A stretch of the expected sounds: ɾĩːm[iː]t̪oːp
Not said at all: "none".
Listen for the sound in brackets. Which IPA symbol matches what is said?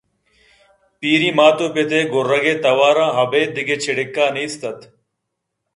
aː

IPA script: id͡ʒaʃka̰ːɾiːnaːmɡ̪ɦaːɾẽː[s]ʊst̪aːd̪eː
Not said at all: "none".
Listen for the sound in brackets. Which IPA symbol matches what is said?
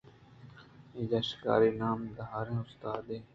none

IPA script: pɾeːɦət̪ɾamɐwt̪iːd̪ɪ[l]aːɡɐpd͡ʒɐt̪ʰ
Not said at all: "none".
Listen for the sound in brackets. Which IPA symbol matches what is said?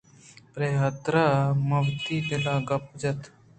l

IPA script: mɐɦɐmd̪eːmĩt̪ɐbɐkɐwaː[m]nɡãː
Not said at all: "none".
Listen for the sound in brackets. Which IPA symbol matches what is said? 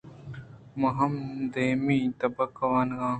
none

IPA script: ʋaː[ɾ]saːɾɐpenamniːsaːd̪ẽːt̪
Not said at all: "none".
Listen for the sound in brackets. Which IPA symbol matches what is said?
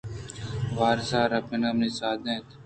ɾ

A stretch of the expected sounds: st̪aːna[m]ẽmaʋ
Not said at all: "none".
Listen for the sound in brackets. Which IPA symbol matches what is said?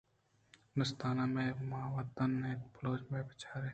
m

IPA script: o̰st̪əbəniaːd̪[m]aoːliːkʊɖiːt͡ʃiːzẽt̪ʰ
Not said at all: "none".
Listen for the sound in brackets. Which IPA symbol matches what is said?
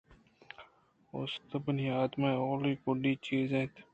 m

